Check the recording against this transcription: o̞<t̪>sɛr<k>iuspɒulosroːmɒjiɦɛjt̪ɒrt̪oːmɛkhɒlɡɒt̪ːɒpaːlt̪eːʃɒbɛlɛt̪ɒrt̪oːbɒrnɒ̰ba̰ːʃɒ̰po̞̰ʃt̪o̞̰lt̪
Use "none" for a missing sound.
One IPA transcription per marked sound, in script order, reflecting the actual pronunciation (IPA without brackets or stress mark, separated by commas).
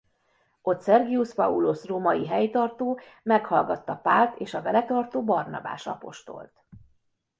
t̪, ɡ